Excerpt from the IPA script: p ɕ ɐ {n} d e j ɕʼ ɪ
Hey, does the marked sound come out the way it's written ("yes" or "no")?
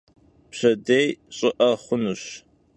no